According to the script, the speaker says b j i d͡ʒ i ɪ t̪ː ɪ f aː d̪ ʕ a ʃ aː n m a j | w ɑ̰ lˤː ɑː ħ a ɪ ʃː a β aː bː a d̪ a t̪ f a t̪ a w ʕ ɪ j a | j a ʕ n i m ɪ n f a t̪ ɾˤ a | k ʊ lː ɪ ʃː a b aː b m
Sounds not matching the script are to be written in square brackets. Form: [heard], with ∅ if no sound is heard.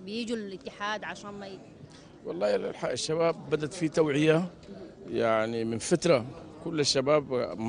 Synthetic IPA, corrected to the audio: b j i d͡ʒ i ɪ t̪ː ɪ [ħ] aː d̪ ʕ a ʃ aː n m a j | w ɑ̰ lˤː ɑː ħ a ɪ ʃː a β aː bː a d̪ a t̪ f [i] t̪ a w ʕ ɪ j a | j a ʕ n i m ɪ n f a t̪ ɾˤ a | k ʊ lː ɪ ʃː a b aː b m